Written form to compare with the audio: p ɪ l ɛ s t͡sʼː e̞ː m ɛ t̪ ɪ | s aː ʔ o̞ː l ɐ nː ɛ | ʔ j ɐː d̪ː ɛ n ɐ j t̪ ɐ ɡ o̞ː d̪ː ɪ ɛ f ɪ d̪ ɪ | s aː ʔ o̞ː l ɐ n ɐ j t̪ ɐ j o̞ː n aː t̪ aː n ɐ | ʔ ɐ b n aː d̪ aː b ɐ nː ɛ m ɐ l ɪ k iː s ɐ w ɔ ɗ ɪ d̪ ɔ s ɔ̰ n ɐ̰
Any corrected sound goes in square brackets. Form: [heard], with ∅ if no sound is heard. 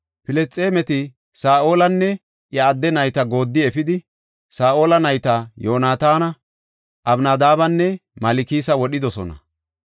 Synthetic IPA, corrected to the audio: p ɪ l ɛ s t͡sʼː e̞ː m ɛ t̪ ɪ | s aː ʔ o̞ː l ɐ nː ɛ | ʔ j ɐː d̪ː ɛ n ɐ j t̪ ɐ ɡ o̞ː d̪ː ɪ ɛ f ɪ d̪ ɪ | s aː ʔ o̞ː l ɐ n ɐ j t̪ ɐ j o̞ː n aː t̪ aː n ɐ | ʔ ɐ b n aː d̪ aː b ɐ nː ɛ m ɐ l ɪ k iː s ɐ w ɔ ɗ ɪ d̪ ɔ s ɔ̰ n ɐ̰